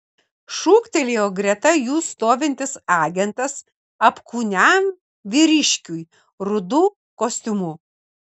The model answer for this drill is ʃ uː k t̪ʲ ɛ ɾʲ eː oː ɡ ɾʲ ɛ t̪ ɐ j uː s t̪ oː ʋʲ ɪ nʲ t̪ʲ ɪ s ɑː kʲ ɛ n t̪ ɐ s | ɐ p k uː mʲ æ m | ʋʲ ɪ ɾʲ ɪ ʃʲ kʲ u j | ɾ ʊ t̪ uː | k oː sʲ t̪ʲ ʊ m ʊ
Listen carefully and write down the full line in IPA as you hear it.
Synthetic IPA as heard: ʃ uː k t̪ʲ ɛ lʲ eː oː ɡ ɾʲ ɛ t̪ ɐ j uː s t̪ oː ʋʲ ɪ nʲ t̪ʲ ɪ s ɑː ɡʲ ɛ n t̪ ɐ s | ɐ p k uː nʲ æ m | ʋʲ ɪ ɾʲ ɪ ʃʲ kʲ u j | ɾ ʊ d̪ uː | k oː sʲ t̪ʲ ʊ m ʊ